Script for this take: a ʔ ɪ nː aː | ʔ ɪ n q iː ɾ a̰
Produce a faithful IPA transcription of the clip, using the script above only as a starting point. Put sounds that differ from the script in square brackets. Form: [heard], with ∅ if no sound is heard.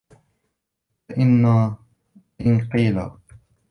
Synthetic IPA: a ʔ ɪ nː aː | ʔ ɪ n q iː [l] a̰